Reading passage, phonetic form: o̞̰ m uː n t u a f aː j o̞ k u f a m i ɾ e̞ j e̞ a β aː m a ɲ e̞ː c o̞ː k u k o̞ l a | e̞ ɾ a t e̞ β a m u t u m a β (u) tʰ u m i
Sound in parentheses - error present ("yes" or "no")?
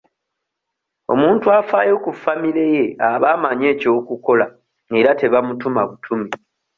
no